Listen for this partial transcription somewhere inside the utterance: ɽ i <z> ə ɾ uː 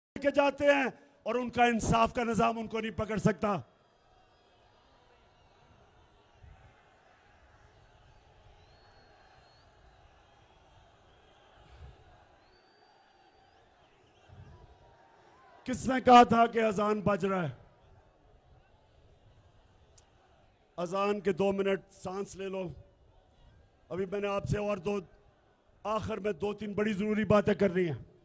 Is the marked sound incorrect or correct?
correct